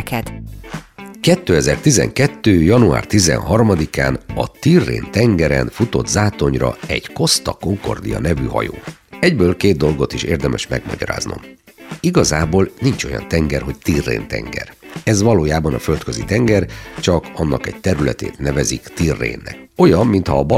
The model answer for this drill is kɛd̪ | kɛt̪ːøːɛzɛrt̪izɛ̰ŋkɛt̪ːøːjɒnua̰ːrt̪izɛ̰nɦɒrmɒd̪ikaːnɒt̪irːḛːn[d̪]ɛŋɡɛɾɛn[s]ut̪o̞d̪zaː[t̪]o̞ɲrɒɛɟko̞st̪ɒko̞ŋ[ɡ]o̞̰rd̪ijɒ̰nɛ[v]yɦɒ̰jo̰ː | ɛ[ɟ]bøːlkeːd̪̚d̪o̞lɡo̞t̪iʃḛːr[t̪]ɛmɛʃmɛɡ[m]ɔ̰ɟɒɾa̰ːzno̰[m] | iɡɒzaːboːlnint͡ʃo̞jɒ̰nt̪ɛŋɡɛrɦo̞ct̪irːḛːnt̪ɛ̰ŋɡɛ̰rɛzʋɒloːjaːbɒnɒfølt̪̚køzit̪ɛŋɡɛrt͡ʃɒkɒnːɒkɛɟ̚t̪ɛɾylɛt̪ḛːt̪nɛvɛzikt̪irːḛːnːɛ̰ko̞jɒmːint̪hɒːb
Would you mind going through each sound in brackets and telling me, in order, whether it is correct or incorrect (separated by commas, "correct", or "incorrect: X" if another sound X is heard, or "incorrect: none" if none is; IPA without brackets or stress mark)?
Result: incorrect: t̪, incorrect: f, correct, incorrect: k, correct, correct, incorrect: d̪, correct, correct